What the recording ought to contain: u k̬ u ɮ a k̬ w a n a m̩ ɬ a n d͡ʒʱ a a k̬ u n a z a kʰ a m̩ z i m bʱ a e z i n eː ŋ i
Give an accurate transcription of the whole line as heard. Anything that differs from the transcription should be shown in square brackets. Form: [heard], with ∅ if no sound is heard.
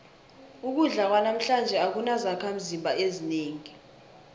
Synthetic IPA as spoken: u k̬ u ɮ a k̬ w a n a m̩ ɬ a n d͡ʒʱ [ɛ] a k̬ u n a z a kʰ a m̩ z i m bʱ a e z i n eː ŋ i